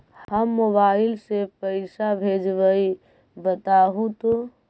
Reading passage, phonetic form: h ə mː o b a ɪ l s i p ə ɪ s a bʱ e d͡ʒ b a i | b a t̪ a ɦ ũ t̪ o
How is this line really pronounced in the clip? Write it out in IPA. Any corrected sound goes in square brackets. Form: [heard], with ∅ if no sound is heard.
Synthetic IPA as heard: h ə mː o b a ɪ l s [e] p ə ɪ s a bʱ e d͡ʒ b [ə] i | b [ə] t̪ a ɦ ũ t̪ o